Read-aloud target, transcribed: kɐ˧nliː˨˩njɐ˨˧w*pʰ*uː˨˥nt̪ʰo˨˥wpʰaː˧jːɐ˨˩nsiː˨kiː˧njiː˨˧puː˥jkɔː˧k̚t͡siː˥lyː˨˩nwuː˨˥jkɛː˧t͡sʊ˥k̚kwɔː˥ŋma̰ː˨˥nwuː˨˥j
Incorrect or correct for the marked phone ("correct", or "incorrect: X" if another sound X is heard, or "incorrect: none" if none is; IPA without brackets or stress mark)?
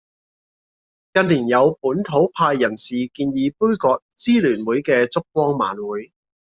incorrect: p